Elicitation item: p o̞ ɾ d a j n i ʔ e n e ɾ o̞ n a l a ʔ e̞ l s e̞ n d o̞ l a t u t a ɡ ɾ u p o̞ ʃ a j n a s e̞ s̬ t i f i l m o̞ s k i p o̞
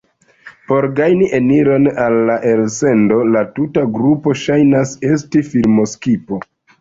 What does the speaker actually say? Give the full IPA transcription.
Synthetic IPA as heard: p o̞ ɾ ɡ a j n i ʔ e n i ɾ o̞ n a lː a ʔ e̞ l s e̞ n d o̞ l a t u t a ɡ ɾ u p o̞ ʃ a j n a s e̞ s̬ t i f i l m o̞ s k i p o̞